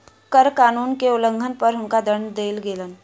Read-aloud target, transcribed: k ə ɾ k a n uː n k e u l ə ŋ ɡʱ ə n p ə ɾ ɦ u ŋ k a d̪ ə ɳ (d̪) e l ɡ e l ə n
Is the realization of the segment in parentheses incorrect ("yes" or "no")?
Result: no